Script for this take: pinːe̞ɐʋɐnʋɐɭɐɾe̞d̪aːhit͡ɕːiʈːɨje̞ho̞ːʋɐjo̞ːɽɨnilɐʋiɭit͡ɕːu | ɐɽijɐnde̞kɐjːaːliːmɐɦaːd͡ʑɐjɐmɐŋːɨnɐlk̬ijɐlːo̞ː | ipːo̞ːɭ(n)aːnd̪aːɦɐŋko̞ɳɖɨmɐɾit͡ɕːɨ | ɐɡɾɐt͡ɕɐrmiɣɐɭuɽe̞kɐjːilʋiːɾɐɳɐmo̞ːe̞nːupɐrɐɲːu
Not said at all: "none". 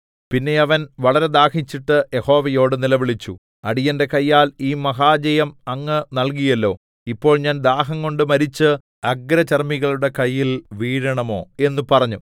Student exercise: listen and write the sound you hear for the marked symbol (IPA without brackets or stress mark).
ɲ